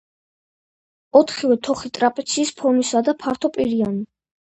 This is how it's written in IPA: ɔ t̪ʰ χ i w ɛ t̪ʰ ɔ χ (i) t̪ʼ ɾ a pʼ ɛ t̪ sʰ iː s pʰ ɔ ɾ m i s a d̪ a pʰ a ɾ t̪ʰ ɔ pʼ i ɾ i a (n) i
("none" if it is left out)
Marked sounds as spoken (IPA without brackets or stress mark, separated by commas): i, n